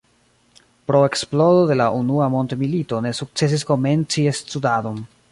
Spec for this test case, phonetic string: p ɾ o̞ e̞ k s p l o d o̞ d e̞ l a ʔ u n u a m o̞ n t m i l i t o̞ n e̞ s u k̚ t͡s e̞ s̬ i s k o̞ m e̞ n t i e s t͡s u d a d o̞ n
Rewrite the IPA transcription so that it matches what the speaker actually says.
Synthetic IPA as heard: p ɾ o̞ e̞ k s p l o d o̞ d e̞ l a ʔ u n u a m o̞ n t m i l i t o̞ n e̞ s u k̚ t͡s e̞ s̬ i s k o̞ m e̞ n t͡s i e s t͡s u d a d o̞ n